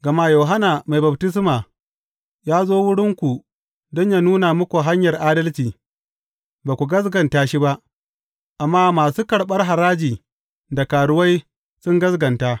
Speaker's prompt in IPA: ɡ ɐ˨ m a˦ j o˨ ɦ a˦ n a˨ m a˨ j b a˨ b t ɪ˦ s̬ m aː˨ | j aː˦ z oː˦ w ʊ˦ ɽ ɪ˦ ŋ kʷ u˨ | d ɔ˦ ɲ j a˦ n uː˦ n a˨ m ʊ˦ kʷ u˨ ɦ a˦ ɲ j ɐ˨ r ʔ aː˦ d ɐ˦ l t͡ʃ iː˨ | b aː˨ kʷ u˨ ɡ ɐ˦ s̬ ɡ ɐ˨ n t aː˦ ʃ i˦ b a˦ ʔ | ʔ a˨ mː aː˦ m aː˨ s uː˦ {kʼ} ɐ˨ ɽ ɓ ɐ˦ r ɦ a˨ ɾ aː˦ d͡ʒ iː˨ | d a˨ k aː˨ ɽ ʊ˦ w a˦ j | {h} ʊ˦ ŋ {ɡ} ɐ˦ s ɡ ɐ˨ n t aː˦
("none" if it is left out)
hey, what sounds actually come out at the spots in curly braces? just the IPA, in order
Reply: k, s, ɡ

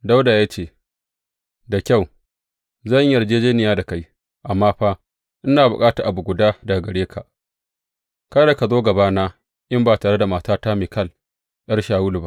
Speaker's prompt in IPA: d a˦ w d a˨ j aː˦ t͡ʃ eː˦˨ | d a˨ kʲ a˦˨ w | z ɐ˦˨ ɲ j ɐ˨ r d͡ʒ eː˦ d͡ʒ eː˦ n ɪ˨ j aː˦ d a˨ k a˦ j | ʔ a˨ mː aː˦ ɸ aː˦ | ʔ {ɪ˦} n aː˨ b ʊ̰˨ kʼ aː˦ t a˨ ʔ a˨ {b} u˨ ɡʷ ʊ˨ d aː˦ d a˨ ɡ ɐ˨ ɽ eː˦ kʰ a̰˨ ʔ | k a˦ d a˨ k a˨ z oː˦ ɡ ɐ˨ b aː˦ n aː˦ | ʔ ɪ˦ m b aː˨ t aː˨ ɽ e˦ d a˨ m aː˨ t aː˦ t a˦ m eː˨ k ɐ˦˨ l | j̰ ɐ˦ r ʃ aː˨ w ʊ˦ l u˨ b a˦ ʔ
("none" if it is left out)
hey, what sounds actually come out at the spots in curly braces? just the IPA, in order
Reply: ɪ˦, b

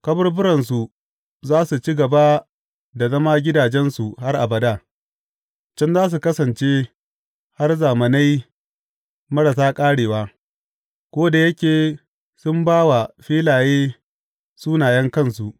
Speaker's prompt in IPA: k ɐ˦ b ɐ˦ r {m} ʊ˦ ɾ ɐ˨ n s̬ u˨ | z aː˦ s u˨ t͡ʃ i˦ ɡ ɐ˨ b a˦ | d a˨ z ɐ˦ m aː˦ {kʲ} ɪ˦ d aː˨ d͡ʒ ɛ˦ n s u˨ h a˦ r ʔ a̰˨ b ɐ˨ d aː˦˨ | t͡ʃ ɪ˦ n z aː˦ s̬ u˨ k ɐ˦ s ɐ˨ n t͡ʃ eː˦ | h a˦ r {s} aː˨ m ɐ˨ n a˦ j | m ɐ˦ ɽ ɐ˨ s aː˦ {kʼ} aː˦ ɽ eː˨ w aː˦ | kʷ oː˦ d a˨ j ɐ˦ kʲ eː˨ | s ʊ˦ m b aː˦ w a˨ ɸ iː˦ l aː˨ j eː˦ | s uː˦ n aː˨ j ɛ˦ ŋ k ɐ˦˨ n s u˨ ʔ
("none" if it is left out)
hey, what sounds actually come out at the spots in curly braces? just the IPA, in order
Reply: b, ɡʲ, z, kʼ

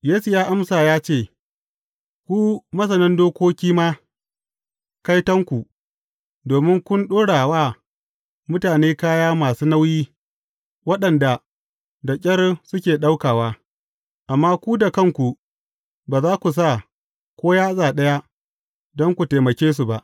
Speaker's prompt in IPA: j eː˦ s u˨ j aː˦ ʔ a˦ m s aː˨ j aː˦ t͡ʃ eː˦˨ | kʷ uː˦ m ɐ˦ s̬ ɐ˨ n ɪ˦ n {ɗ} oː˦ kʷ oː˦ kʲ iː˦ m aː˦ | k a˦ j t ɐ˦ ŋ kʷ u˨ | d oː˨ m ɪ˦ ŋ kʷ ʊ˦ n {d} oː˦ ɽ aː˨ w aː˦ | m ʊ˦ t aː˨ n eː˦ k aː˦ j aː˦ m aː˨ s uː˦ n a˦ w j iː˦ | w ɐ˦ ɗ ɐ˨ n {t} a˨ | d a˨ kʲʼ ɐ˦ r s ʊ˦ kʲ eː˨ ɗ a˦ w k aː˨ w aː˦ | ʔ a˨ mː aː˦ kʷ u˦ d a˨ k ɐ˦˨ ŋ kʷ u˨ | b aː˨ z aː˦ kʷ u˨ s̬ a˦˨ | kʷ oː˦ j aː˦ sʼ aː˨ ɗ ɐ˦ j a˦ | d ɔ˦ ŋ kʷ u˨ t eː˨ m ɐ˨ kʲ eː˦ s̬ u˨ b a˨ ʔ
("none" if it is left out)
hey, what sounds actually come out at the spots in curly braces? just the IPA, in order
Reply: d, ɗ, d

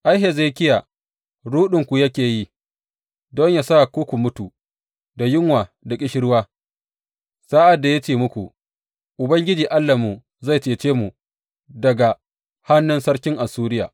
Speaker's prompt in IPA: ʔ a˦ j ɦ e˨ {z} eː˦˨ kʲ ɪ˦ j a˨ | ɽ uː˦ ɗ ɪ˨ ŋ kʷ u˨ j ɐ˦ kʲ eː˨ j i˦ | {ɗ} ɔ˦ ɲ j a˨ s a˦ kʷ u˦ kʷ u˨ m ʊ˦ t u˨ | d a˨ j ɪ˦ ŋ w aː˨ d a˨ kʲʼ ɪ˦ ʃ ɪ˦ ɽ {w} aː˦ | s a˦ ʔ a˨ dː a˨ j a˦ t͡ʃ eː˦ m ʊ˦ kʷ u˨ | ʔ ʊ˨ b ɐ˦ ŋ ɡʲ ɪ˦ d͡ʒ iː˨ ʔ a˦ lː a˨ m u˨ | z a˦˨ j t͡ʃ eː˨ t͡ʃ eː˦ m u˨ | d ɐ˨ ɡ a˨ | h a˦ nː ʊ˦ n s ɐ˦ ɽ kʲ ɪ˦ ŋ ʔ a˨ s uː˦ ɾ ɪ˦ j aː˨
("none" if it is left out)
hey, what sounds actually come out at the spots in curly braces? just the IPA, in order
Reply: z, d, w

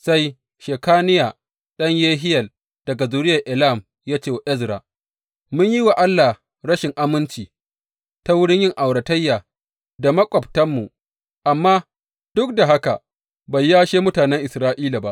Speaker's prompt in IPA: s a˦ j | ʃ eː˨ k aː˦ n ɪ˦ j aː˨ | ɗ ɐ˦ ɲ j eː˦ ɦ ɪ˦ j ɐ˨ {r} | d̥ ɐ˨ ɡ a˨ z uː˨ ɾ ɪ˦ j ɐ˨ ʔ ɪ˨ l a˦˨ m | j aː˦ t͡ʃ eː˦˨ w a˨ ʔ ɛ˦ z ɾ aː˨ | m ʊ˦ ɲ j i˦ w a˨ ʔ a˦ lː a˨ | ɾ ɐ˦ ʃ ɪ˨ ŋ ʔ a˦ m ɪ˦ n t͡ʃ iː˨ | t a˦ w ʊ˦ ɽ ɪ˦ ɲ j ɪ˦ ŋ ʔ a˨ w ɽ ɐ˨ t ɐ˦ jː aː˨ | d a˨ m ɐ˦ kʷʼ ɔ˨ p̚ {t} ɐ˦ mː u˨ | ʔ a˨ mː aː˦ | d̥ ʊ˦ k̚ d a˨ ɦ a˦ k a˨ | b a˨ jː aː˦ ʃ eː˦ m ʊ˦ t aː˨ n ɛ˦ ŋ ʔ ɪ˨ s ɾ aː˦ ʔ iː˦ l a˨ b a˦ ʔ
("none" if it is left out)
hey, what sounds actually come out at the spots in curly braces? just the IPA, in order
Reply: l, t

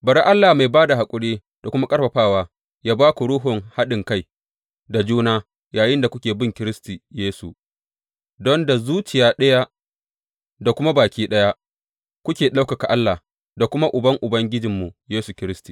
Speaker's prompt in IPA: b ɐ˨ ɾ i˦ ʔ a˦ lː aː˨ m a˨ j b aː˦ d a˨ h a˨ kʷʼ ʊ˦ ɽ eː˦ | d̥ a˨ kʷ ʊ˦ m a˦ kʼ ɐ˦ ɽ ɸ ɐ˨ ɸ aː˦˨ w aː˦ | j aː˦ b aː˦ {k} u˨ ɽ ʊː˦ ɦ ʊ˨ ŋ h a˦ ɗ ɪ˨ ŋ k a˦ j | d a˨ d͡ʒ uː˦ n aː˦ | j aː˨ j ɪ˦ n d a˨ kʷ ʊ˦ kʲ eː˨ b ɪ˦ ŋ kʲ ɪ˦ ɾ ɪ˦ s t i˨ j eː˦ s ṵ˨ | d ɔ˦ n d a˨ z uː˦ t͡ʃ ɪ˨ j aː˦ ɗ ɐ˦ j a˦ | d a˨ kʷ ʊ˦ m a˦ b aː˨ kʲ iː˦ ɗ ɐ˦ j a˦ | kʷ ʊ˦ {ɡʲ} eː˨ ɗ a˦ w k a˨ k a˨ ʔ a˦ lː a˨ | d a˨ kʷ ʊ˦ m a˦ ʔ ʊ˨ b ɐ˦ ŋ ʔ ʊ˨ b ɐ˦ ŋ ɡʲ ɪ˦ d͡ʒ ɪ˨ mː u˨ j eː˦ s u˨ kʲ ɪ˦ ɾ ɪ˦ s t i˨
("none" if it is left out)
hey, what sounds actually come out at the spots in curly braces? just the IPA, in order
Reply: k, kʲ

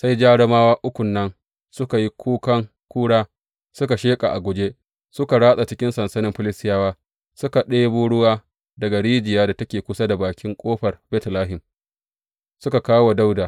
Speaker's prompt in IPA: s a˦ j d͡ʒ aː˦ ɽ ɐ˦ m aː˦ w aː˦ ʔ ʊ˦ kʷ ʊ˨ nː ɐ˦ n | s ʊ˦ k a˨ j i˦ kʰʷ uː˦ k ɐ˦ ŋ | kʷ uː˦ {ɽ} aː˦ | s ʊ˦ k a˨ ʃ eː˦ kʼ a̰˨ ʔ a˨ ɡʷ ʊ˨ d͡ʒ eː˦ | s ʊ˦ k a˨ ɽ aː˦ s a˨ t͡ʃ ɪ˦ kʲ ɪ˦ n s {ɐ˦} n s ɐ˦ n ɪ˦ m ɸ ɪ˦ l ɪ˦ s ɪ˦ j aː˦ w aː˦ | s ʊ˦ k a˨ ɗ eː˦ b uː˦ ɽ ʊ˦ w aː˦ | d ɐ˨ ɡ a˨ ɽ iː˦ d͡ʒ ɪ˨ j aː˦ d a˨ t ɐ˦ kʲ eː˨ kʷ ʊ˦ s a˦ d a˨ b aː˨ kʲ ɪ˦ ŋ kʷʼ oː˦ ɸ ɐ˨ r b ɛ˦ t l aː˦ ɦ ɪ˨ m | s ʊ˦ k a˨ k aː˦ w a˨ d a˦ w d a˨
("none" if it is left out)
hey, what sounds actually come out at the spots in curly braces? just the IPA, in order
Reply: ɽ, ɐ˨

